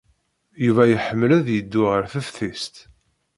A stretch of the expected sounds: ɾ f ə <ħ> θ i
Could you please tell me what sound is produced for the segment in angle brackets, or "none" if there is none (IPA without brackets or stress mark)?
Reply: f